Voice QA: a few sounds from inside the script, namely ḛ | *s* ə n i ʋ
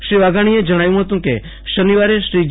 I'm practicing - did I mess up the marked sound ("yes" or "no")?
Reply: yes